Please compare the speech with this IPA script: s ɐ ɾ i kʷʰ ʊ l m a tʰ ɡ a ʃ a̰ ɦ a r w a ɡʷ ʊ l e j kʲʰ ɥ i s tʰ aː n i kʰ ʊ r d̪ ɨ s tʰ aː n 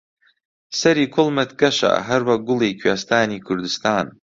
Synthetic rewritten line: s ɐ ɾ i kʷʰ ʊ l m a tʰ ɡ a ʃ a̰ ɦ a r w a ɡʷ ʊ l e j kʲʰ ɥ a s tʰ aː n i kʰ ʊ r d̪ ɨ s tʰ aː n